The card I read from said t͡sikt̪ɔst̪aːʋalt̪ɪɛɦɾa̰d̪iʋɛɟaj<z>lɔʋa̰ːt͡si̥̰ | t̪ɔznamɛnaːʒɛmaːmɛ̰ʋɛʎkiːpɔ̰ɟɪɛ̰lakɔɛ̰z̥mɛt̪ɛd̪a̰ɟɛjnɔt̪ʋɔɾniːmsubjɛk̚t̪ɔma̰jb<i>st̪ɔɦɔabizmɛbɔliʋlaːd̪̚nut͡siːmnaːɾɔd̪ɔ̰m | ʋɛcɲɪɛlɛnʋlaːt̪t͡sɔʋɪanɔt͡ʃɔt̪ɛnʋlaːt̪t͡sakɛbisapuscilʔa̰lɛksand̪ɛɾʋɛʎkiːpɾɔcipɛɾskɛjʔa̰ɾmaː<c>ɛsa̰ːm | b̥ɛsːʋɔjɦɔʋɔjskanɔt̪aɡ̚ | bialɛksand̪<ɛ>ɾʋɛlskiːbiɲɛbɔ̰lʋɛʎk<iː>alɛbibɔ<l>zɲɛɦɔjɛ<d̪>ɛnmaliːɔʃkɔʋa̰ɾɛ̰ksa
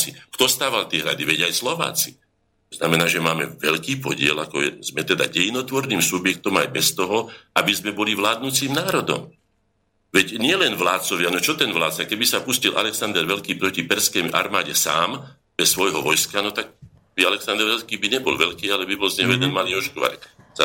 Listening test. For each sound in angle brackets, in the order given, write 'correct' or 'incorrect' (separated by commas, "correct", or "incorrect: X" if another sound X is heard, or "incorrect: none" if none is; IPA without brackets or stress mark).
incorrect: s, incorrect: ɛ, incorrect: ɟ, correct, correct, correct, correct